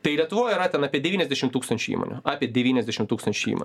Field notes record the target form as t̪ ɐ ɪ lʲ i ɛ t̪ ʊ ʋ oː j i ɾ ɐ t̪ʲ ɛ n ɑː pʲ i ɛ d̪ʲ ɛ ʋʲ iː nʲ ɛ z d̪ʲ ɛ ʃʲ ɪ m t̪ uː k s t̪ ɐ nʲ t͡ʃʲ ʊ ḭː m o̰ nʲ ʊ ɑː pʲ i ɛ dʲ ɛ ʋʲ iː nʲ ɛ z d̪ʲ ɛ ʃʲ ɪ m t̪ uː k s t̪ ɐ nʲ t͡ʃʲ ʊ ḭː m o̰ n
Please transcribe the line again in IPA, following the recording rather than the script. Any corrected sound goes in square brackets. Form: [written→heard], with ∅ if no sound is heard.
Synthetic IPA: t̪ ɐ ɪ lʲ i ɛ t̪ ʊ ʋ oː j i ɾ ɐ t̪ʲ ɛ n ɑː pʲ i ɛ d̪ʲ ɛ ʋʲ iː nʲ ɛ z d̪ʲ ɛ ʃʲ ɪ m t̪ uː k s t̪ ɐ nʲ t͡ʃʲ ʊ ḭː m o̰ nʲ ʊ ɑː pʲ i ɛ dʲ ɛ ʋʲ iː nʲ ɛ z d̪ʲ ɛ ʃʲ ɪ m t̪ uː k s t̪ ɐ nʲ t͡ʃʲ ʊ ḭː m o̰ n